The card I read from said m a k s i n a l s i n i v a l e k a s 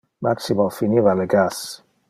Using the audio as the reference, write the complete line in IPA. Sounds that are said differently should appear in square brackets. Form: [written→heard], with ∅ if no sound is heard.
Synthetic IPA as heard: m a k s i [n→m] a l [s→f] i n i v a l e [k→ɡ] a s